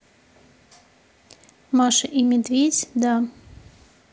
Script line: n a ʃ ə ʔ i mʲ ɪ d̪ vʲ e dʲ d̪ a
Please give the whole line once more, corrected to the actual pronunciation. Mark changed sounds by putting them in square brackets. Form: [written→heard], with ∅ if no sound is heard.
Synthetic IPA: [n→m] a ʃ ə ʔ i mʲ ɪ d̪ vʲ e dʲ d̪ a